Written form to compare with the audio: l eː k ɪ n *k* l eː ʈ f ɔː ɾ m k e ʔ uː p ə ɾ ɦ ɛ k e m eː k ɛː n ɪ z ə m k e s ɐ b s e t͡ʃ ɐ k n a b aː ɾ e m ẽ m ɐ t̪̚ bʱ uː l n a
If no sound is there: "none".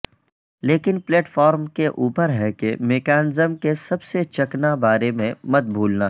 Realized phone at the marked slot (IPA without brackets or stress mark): p